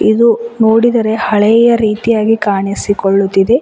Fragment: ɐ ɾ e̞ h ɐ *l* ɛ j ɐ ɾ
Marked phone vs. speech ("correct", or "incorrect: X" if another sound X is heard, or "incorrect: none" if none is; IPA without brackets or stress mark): incorrect: ɭ